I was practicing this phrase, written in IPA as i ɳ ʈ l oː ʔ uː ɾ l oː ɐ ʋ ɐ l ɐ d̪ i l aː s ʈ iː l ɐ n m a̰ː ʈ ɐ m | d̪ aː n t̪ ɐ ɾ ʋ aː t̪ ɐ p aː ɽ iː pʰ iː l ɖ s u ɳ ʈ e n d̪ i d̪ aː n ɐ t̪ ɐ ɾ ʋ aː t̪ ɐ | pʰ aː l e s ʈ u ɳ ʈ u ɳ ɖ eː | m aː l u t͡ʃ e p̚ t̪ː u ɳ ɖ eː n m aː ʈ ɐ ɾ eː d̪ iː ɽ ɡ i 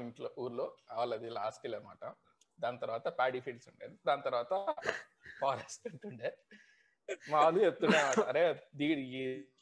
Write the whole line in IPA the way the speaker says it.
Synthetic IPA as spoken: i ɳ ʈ l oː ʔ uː ɾ l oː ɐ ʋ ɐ l ɐ d̪ i l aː s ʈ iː l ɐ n m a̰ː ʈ ɐ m | d̪ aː n t̪ ɐ ɾ ʋ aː t̪ ɐ p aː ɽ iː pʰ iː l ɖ s u ɳ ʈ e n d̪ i d̪ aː n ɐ t̪ ɐ ɾ ʋ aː t̪ ɐ | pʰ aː ɾ e s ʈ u ɳ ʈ u ɳ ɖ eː | m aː l u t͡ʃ e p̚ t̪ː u ɳ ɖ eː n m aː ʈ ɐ ɾ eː d̪ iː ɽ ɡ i